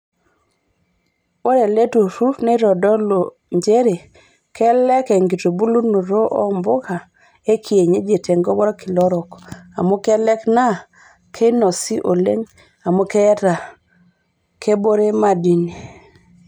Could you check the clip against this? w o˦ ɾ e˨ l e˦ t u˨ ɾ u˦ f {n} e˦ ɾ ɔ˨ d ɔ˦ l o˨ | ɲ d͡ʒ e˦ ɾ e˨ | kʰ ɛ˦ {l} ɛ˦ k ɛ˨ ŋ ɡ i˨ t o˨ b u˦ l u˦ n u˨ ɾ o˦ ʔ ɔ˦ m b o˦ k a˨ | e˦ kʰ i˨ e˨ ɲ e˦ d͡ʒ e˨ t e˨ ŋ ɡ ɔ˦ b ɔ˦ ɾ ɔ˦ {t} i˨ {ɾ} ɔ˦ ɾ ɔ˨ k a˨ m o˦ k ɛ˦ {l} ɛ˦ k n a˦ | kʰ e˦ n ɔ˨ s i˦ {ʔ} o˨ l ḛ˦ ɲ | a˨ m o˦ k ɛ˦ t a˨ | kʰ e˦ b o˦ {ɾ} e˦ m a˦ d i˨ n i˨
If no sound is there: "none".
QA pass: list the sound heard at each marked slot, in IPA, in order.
n, l, k, l, l, ʔ, ɾ

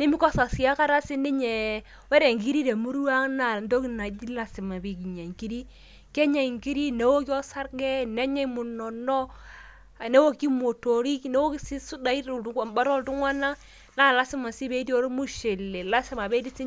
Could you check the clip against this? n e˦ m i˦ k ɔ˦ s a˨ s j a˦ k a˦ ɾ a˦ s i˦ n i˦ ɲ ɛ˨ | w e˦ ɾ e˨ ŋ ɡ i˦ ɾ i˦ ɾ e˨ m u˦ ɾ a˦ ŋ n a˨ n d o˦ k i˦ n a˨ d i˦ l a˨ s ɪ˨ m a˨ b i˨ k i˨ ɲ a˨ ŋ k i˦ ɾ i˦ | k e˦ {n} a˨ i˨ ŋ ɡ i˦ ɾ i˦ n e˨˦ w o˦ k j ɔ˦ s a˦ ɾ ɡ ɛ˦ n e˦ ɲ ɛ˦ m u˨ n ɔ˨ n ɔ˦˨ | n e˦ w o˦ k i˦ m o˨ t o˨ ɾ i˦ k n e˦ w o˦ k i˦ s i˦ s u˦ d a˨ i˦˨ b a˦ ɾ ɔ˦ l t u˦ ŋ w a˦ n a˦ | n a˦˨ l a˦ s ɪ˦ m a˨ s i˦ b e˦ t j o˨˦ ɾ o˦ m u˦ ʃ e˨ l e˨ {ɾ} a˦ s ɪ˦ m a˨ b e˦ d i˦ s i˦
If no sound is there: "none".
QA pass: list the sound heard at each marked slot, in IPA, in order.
ɲ, l

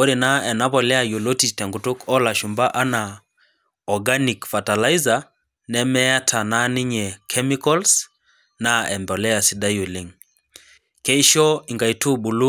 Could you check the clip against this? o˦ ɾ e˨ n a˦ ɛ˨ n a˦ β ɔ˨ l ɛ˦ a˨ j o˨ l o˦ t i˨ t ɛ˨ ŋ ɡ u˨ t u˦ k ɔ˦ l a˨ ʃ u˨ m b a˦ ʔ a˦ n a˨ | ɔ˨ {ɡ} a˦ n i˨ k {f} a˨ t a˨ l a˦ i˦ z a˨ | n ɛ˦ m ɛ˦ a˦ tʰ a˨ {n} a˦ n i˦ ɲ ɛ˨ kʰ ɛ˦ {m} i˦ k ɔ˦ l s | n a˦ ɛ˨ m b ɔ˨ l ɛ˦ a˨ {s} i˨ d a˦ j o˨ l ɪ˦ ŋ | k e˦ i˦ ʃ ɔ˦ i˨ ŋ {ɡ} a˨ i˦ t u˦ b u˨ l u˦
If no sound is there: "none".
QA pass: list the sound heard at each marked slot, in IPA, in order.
ɡ, f, n, m, s, ɡ

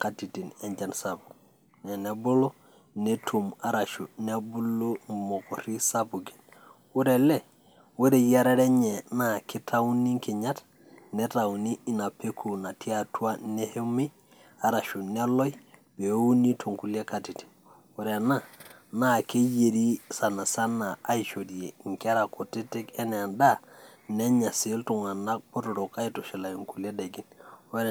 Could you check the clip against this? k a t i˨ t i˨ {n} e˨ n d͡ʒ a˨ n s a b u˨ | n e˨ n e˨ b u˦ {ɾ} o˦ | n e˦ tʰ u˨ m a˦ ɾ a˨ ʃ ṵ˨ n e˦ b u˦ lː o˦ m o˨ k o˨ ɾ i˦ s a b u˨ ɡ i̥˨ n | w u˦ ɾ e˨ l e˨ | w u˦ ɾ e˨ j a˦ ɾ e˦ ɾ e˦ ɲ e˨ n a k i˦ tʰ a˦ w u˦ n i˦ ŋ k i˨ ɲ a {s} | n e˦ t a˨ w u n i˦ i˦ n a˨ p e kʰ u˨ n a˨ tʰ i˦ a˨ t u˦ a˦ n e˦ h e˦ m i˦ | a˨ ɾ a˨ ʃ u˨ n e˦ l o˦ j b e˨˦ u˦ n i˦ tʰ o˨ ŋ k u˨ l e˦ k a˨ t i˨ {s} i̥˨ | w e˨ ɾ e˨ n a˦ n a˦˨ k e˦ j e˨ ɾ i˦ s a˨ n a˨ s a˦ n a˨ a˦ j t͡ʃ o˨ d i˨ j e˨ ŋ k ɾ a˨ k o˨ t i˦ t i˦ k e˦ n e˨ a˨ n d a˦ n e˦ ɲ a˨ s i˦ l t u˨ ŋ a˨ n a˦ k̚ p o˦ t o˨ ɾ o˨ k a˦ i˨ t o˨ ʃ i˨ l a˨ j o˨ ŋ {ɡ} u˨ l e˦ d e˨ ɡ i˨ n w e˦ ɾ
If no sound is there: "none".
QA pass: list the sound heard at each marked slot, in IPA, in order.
n, l, t, t, k

